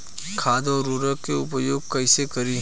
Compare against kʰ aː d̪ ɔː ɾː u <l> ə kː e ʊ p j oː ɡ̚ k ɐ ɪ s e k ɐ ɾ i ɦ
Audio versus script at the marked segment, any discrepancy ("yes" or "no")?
yes